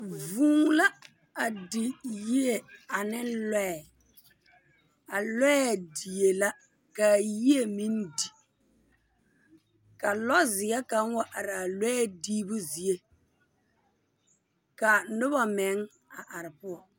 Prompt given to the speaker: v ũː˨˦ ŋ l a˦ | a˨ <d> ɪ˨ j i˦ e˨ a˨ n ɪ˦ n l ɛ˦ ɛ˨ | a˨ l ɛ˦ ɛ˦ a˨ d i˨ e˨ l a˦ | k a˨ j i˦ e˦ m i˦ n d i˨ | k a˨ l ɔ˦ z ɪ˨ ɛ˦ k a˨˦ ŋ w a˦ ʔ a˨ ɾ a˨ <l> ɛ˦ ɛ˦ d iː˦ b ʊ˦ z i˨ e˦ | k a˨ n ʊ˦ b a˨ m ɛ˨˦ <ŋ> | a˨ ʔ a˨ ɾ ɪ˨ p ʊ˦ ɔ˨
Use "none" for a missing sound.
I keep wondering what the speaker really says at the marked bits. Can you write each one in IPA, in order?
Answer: d, l, ŋ

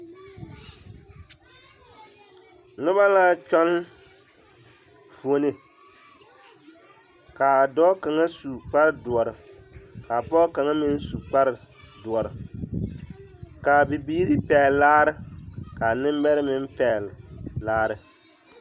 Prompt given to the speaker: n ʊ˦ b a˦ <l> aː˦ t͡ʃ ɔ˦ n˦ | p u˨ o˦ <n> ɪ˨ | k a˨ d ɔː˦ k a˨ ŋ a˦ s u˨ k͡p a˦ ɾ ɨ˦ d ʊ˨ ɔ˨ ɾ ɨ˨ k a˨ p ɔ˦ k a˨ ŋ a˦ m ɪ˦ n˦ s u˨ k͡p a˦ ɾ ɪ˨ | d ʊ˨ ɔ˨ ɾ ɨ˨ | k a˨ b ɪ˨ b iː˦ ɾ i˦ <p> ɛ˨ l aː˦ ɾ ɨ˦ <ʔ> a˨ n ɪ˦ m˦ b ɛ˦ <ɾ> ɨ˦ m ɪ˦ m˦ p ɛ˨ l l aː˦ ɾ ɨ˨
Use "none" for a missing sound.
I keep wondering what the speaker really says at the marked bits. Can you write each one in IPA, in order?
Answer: l, n, p, k, ɾ

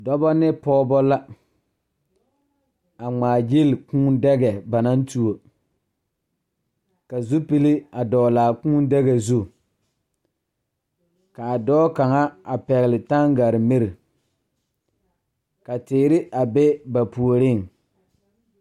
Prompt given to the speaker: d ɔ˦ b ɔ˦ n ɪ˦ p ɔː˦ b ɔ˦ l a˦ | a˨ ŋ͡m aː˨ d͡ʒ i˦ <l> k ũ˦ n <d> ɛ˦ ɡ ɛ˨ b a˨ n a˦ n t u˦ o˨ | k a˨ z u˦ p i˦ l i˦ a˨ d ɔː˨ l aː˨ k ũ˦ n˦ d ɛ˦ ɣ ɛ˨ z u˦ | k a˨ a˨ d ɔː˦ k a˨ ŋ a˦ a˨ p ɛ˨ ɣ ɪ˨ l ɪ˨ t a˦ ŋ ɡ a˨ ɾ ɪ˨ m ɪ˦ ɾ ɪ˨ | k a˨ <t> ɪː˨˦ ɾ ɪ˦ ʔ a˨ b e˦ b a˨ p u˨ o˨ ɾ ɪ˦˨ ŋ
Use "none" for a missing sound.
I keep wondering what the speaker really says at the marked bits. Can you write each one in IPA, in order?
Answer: l, d, t

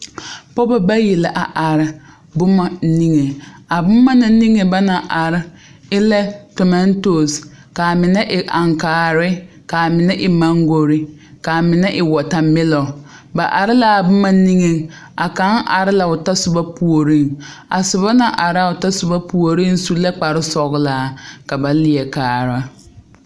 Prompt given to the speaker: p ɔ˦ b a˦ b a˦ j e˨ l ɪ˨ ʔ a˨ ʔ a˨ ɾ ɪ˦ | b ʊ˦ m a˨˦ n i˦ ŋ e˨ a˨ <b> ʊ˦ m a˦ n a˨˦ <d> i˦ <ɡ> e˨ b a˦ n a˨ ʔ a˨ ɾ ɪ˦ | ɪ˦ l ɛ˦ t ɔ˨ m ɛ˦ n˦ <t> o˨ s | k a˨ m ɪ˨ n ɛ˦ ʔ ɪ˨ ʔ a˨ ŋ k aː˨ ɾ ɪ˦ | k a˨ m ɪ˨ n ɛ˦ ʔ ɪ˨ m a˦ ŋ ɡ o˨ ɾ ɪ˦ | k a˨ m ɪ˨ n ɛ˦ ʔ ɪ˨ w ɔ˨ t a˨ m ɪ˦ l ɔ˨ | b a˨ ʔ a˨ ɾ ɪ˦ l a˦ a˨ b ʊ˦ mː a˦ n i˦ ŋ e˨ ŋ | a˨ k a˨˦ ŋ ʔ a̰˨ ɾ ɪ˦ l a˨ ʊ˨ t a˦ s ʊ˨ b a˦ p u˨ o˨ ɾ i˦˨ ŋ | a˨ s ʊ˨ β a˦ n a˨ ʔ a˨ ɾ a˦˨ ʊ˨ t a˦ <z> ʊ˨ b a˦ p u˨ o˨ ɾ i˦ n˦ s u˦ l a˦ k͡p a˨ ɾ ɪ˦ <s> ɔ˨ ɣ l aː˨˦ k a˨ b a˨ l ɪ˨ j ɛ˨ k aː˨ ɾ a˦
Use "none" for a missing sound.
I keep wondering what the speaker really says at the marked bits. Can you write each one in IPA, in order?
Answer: b, n, ŋ, t, s, s

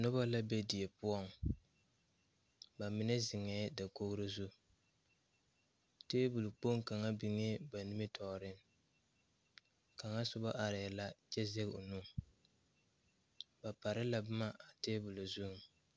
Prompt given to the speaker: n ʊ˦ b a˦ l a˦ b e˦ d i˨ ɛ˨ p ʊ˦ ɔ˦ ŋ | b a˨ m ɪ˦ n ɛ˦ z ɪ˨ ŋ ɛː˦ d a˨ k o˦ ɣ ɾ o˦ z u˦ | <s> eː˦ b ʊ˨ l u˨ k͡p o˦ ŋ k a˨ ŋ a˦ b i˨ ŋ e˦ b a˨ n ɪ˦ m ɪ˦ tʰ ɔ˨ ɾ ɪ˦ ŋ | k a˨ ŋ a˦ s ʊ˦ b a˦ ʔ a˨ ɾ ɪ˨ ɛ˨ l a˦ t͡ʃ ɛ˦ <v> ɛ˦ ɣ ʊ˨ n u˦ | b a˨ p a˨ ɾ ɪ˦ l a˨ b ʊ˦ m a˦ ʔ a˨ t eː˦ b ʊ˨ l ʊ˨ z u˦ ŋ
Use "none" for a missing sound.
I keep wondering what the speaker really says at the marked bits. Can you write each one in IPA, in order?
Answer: t, z

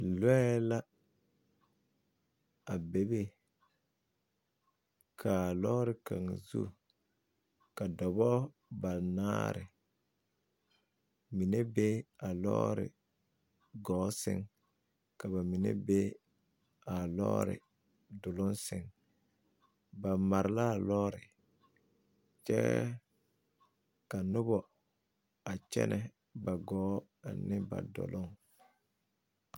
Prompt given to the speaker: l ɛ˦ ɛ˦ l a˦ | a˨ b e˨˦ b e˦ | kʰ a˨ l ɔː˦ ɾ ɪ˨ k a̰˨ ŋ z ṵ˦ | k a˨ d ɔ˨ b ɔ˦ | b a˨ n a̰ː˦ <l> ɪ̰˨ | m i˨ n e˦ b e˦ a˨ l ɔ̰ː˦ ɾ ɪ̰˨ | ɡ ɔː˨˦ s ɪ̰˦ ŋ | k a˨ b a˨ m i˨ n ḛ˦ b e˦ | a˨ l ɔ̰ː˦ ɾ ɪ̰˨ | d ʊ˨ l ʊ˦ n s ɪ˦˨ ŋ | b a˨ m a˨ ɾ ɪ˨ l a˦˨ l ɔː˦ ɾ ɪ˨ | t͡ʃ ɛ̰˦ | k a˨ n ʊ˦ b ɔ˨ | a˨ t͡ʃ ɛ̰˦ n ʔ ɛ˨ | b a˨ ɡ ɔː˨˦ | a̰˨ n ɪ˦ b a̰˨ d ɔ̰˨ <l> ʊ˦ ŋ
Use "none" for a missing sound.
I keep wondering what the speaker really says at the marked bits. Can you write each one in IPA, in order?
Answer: ɾ, l

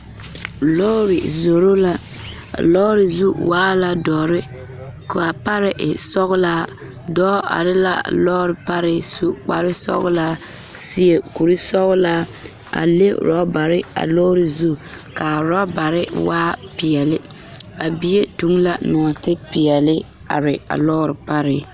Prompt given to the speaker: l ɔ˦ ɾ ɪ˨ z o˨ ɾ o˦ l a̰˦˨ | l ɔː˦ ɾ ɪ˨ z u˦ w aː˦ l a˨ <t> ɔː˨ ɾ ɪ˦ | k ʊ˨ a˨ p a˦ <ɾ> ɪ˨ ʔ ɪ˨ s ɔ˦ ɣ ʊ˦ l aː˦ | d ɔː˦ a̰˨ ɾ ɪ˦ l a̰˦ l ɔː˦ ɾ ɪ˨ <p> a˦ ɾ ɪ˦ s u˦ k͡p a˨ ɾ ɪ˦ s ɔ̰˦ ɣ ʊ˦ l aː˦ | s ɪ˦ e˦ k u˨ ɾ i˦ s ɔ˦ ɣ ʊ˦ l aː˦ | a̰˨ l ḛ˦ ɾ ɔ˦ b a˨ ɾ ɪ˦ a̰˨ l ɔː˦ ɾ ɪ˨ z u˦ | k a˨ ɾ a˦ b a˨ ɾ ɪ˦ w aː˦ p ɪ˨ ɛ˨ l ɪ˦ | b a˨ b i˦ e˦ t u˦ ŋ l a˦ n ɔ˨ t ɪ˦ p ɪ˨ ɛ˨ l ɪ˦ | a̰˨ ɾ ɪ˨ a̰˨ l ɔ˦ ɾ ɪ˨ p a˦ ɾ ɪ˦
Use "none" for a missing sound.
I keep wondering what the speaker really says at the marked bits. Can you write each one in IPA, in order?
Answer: d, ɾ, p

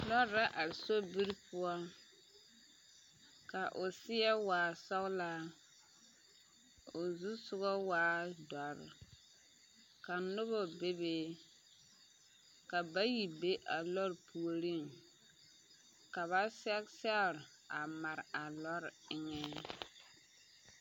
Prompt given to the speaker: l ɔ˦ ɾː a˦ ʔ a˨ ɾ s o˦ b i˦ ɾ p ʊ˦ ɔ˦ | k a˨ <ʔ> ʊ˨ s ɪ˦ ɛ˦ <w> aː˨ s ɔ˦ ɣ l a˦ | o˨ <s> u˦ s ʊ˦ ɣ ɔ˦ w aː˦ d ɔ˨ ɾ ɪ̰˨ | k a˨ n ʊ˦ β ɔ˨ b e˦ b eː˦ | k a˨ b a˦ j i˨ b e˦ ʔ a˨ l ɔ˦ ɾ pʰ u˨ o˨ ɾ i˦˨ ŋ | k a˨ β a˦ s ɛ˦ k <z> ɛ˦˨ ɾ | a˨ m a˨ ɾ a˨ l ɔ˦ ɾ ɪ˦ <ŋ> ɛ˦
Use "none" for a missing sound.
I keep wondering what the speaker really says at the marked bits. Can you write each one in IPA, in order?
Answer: ʔ, w, z, s, ŋ

